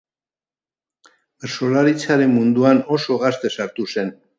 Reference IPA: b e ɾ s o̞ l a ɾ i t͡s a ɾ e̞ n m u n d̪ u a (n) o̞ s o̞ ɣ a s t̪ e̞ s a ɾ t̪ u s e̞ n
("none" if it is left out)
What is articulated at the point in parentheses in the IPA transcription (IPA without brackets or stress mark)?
n